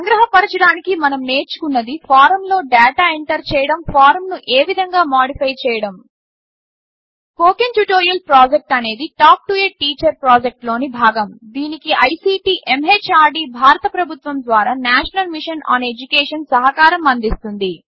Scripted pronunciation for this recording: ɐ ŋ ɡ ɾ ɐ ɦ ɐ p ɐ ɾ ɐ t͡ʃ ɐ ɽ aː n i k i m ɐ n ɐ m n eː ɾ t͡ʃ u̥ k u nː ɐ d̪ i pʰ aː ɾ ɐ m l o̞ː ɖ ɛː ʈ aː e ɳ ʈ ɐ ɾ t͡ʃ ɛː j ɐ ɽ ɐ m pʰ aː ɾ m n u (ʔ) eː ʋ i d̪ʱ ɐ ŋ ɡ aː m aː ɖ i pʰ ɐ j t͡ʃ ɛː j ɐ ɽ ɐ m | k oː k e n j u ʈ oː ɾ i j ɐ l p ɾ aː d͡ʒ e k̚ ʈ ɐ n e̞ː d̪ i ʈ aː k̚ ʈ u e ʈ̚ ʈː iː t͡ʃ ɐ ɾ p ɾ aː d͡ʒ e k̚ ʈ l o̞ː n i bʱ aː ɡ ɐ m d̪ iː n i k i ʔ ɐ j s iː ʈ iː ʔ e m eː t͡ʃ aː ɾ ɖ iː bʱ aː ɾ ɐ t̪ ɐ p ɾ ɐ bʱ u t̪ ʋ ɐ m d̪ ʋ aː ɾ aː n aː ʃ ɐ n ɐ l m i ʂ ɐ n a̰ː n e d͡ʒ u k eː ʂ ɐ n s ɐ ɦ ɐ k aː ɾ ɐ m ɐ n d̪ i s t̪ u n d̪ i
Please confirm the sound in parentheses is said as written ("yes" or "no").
yes